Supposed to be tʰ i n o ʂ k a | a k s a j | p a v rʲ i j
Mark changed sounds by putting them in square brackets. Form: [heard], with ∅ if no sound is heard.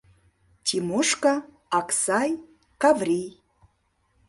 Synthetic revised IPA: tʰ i [m] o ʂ k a | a k s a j | [k] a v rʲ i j

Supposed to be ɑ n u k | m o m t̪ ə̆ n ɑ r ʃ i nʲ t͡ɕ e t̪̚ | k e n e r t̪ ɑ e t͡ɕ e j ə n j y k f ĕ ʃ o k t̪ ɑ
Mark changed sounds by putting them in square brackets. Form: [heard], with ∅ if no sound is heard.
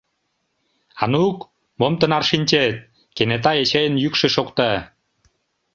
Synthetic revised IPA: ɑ n u k | m o m t̪ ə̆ n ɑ r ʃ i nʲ t͡ɕ e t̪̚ | k e n e [∅] t̪ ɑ e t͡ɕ e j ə n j y k [ʃ] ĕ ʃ o k t̪ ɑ

